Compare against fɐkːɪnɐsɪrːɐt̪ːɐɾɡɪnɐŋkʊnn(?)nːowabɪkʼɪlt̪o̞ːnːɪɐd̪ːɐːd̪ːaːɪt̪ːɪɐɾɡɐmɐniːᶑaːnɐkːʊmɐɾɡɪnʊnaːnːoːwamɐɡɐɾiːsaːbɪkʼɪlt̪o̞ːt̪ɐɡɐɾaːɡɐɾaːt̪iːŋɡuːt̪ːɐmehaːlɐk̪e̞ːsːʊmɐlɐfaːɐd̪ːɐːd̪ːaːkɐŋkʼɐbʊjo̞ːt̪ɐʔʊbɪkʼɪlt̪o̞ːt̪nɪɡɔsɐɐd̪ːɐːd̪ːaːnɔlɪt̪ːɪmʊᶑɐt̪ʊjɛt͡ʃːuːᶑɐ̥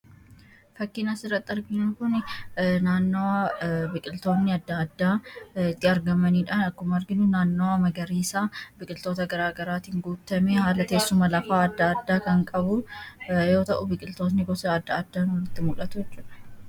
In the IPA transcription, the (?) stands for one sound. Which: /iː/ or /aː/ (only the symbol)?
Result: aː